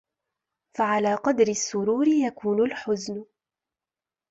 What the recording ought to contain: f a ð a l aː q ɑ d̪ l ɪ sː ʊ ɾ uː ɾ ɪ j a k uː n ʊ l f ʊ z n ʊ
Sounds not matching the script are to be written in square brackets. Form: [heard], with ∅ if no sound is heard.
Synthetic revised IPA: f a [ʕ] a l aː q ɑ d̪ [ɾ] ɪ sː ʊ ɾ uː ɾ ɪ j a k uː n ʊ l [ħ] ʊ z n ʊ